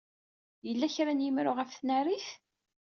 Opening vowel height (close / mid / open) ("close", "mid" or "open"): mid